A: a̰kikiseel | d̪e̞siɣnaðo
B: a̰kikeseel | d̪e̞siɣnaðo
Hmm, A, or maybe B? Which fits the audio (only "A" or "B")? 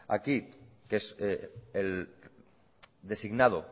B